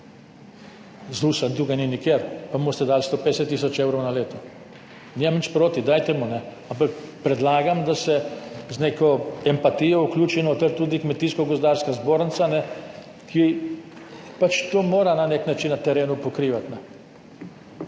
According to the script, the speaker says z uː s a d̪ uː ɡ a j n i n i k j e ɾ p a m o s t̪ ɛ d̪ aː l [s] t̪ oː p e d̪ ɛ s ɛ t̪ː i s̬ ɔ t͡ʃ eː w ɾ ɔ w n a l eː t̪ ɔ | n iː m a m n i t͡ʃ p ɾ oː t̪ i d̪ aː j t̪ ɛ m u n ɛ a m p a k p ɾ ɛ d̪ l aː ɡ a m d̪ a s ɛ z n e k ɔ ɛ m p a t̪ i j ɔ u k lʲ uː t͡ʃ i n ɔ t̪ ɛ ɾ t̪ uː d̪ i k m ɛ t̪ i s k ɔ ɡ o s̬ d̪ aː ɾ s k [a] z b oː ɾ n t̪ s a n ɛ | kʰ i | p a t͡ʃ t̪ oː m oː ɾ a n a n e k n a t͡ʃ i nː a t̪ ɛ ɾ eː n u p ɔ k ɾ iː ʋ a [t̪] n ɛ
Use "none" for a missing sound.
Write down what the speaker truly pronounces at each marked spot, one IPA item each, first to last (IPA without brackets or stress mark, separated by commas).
s, a, t̪